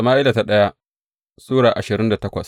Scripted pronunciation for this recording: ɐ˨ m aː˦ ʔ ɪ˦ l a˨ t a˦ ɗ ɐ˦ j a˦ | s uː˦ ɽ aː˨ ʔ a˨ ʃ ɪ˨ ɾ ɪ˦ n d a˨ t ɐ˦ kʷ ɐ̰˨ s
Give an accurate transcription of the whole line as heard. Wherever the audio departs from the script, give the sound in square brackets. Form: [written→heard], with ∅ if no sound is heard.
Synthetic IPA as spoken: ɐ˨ m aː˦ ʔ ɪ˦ l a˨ t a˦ ɗ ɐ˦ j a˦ | s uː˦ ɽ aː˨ ʔ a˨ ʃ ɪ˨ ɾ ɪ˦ n d a˨ t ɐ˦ kʷ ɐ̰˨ s